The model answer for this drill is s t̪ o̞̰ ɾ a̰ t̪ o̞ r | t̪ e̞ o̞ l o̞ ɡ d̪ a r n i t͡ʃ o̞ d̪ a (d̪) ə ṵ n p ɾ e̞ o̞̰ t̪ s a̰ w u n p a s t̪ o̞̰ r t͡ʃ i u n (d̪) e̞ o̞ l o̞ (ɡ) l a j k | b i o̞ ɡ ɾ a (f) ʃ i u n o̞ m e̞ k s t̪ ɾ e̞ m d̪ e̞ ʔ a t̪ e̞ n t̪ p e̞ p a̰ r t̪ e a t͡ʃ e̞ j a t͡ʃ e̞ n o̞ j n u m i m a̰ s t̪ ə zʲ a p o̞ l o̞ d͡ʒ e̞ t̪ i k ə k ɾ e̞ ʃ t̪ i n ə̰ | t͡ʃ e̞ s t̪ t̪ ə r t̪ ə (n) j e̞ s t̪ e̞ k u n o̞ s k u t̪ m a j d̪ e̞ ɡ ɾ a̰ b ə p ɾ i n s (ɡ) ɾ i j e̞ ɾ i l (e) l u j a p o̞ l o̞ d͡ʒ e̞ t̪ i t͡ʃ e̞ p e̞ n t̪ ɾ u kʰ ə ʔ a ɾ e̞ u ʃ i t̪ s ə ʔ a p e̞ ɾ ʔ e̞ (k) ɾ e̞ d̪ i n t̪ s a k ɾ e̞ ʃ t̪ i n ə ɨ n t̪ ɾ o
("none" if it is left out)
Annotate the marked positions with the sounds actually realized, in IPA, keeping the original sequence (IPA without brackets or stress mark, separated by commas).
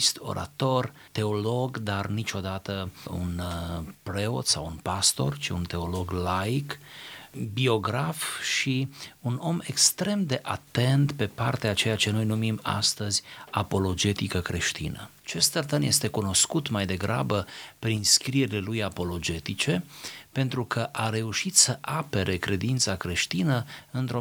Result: t̪, t̪, ɡ, f, n, k, e, k